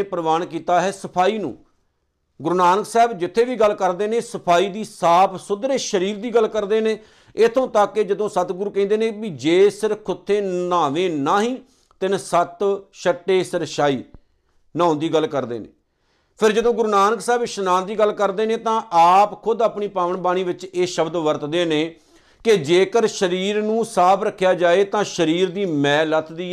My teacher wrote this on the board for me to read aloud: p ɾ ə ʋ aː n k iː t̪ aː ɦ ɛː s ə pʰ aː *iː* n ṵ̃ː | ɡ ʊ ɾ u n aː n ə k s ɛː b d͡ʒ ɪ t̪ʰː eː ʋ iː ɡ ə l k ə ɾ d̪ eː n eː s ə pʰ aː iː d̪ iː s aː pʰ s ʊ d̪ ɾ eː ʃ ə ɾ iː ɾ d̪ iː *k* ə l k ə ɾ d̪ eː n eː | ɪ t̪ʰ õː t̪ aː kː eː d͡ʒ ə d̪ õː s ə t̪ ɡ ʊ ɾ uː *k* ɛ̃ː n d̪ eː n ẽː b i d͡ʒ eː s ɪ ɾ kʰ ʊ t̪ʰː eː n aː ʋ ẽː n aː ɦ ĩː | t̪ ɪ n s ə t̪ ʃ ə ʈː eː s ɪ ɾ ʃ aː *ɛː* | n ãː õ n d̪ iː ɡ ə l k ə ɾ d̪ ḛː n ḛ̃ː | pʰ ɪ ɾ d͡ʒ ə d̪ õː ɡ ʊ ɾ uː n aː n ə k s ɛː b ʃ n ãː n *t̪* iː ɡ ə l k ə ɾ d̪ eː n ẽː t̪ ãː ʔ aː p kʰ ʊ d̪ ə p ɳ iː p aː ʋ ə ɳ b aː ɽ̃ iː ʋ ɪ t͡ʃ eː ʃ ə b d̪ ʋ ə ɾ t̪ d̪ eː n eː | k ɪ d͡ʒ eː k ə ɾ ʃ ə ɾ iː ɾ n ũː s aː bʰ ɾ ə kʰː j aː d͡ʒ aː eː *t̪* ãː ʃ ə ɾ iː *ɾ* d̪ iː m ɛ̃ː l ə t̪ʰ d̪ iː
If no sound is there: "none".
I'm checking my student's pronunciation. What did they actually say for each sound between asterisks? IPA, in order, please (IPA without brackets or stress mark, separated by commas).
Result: iː, ɡ, k, iː, d̪, t̪, ɾ